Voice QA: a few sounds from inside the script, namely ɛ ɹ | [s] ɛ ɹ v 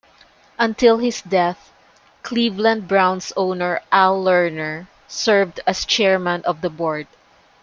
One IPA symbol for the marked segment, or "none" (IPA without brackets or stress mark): s